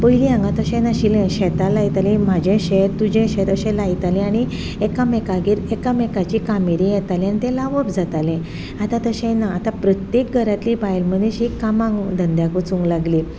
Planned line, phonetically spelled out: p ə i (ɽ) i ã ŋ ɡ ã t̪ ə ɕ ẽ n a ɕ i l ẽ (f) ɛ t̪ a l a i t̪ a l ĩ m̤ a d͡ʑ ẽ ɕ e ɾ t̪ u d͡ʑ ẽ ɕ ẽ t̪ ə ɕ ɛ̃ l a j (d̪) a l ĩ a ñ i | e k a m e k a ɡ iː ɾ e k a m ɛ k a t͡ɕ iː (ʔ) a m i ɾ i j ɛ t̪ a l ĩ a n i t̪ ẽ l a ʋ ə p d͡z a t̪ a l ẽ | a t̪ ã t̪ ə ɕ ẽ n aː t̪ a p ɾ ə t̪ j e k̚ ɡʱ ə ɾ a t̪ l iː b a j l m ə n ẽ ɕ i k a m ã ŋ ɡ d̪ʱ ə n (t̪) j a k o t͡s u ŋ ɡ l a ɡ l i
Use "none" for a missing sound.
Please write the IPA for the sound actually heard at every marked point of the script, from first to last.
l, ɕ, t̪, k, d̪

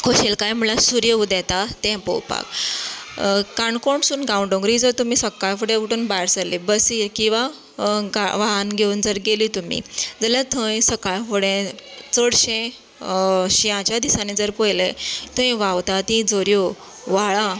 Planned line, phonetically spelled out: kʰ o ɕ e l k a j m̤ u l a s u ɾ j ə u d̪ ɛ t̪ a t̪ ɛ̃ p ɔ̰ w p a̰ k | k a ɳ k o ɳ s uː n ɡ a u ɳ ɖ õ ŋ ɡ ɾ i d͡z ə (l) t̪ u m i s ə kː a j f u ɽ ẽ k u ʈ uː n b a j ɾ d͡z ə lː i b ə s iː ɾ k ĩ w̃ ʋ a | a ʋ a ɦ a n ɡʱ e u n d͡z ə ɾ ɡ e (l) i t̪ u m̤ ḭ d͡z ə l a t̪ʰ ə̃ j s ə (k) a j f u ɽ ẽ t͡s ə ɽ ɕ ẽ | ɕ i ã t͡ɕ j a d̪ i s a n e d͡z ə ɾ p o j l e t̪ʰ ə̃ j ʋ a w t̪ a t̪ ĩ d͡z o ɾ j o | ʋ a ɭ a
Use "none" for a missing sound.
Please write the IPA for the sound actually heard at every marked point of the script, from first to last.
ɾ, l, k

